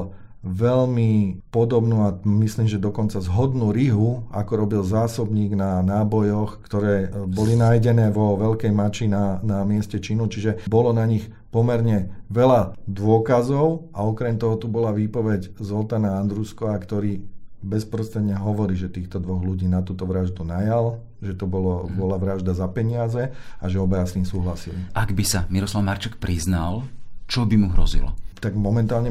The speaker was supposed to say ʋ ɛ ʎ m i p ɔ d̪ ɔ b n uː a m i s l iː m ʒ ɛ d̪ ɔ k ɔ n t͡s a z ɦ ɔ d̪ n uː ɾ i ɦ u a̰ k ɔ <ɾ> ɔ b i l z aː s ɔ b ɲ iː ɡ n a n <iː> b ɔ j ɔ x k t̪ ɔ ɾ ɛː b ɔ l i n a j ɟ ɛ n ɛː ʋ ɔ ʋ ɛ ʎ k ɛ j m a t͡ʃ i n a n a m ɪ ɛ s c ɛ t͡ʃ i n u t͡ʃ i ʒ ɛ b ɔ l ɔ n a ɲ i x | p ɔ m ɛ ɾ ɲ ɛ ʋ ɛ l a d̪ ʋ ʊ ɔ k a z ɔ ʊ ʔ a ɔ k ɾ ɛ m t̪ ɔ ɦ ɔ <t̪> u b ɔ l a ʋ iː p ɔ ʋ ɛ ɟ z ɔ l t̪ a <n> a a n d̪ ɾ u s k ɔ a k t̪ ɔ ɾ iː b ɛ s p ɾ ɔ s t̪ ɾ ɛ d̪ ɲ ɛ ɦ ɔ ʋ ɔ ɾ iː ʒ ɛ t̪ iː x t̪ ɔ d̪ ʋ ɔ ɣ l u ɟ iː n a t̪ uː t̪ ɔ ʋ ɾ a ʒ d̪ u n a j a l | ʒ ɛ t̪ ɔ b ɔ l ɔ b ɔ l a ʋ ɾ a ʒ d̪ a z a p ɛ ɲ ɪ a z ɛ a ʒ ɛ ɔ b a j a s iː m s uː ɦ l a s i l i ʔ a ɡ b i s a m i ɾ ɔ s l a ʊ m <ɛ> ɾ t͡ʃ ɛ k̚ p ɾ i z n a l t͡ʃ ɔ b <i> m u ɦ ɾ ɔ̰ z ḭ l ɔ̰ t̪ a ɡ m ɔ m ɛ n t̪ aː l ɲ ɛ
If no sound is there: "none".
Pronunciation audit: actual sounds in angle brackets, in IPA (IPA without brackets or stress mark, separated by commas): ɾ, aː, t̪, n, a, i